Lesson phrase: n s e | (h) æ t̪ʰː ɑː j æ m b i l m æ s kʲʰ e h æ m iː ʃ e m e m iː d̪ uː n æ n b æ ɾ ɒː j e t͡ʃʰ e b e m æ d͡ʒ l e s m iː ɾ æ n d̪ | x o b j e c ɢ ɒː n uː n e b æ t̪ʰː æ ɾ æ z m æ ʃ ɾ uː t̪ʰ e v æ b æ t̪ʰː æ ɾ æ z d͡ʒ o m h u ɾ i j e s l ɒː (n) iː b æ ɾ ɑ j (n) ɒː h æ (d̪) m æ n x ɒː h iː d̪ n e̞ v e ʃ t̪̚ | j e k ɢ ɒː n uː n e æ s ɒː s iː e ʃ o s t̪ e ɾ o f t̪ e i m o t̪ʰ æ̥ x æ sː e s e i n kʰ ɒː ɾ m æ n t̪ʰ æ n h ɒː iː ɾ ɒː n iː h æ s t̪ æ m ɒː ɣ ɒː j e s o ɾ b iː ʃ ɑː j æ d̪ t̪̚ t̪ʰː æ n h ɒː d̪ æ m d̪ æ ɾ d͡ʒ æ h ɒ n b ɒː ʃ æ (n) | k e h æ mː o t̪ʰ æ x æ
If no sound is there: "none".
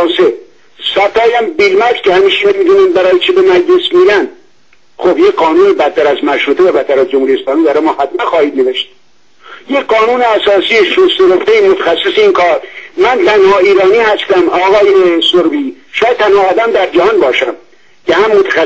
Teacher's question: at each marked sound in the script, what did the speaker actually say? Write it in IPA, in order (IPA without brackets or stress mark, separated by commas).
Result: s, m, m, t̪, m